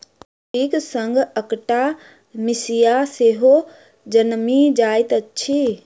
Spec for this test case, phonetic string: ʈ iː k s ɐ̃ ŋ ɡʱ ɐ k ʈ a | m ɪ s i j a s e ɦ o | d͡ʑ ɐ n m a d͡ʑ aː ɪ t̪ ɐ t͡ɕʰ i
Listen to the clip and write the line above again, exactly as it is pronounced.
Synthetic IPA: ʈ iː k s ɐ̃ ŋ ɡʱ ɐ k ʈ a | m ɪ s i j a s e ɦ o | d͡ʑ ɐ n m i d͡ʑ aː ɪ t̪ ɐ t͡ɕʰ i

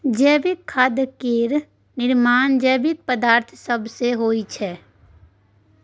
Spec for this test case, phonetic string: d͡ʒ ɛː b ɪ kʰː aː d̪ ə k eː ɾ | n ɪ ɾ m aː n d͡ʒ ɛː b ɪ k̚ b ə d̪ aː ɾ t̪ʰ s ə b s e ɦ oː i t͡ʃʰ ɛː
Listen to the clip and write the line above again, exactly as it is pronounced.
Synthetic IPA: d͡ʒ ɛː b ɪ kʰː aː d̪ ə k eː ɾ | n ɪ ɾ m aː n d͡ʒ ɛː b ɪ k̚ p ə d̪ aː ɾ t̪ʰ s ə b s e ɦ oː i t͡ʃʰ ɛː

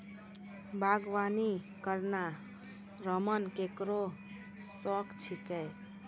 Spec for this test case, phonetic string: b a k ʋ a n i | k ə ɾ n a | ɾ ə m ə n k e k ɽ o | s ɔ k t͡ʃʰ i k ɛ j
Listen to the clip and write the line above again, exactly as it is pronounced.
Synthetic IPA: b a ɡ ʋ a n i | k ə ɾ n a | ɾ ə m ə n k e k ɾ o | s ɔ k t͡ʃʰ i k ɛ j

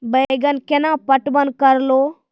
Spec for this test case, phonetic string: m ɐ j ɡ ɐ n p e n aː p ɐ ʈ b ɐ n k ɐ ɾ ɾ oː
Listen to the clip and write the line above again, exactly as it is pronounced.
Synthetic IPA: b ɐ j ɡ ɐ n k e n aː p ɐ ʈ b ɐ n k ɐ ɾ l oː

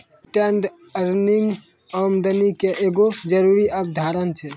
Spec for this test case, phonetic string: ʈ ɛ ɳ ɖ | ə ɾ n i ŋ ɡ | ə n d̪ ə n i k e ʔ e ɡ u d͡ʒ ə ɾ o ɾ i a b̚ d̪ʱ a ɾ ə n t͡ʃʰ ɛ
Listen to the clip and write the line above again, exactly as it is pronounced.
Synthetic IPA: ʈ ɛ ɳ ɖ | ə ɾ n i ŋ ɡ | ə m d̪ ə n i k e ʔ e ɡ o d͡ʒ ə ɾ u ɾ i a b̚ d̪ʱ a ɾ ə n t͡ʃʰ ɛ

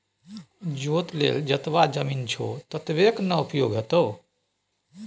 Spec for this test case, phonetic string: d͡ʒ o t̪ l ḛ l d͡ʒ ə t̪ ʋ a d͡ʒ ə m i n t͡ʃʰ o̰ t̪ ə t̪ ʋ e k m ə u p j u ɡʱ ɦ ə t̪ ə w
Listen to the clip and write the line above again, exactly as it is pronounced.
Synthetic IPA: d͡ʒ o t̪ l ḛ l d͡ʒ ə t̪ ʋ a d͡ʒ ə m i n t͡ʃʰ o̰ t̪ ə t̪ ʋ e k n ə u p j o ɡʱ ɦ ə t̪ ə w

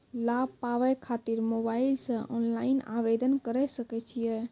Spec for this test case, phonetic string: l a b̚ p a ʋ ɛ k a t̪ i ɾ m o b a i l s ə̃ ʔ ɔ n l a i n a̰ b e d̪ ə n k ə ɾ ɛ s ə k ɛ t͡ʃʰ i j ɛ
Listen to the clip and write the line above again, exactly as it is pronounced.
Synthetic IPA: l a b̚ p a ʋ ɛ kʰ a t̪ i ɾ m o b a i l s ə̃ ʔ ɔ n l a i n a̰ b e d̪ ə n k ə ɾ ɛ s ə k ɛ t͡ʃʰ i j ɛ

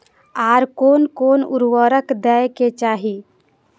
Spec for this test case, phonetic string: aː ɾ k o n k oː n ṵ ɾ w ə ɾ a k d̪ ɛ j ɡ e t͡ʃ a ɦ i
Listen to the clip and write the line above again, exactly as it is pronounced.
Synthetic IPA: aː ɾ k o n k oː n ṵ ɾ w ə ɾ ə k d̪ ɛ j k e t͡ʃ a ɦ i

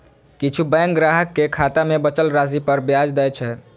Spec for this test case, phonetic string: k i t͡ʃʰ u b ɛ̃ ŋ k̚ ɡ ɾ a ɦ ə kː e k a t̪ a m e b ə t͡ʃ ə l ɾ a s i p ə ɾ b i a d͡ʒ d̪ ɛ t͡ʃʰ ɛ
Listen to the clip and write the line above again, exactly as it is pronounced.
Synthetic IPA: k i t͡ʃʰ u b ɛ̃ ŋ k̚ ɡ ɾ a ɦ ə kː e kʰ a t̪ a m e b ə t͡ʃ ə l ɾ a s i p ə ɾ b j a d͡ʒ d̪ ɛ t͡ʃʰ ɛ

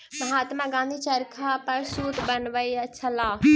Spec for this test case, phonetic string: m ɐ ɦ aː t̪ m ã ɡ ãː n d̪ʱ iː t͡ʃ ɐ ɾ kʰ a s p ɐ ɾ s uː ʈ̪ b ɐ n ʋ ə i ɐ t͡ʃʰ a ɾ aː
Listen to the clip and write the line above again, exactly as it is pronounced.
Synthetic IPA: m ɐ ɦ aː t̪ m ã ɡ ãː n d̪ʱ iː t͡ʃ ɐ ɾ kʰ a p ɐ ɾ s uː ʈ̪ b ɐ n ʋ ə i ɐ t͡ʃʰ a l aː

